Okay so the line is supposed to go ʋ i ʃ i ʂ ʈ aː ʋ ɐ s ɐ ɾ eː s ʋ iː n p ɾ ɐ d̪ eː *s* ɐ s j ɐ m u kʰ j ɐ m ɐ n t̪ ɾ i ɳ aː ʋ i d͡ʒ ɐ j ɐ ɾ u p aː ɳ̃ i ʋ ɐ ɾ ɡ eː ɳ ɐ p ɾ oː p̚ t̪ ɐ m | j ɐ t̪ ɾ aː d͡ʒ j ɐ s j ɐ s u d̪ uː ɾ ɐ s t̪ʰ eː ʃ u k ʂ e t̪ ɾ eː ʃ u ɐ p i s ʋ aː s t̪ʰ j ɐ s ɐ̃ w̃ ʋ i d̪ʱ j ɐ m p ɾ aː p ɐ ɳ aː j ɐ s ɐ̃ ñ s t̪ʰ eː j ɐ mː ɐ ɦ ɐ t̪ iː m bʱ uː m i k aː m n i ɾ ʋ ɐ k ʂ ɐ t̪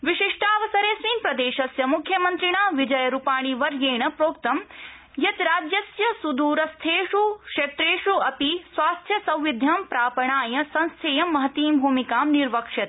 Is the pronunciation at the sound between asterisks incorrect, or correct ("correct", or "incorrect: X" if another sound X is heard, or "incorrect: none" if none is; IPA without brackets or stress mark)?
incorrect: ʃ